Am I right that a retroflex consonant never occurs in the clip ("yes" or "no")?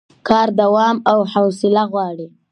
no